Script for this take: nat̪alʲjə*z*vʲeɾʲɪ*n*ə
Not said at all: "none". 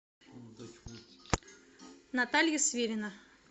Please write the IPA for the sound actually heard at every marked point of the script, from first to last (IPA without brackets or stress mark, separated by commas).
s, n